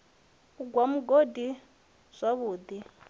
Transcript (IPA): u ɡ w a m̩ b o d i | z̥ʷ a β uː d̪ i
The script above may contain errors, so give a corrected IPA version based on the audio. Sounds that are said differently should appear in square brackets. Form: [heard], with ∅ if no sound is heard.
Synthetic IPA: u ɡ w a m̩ [ɡ] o d i | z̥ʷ a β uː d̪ i